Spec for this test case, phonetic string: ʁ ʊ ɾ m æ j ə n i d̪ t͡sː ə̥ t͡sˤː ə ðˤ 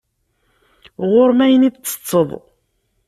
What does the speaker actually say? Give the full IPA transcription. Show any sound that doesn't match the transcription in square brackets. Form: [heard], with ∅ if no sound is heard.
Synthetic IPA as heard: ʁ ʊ ɾ m æ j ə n i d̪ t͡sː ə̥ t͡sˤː ə ðˤ